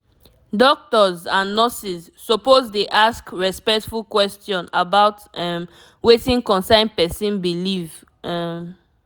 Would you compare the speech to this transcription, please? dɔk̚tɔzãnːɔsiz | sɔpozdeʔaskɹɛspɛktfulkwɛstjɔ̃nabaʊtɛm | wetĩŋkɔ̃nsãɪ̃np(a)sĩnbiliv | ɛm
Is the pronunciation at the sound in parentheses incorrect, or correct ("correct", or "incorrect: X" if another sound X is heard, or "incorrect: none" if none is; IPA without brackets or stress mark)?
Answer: incorrect: ɛ